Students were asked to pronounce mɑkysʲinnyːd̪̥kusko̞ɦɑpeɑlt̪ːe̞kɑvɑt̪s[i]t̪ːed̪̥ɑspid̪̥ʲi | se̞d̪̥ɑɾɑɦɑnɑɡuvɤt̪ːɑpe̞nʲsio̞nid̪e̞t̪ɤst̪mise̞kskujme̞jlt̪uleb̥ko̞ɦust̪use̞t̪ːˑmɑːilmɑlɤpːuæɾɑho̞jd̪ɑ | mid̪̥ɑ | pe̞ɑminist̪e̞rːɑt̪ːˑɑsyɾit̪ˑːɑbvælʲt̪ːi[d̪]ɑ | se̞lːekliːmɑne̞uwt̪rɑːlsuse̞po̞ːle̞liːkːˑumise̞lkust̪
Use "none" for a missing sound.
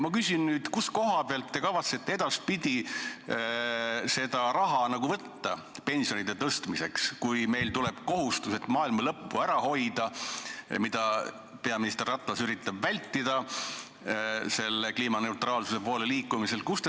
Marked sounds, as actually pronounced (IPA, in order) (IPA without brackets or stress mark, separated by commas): e, d̪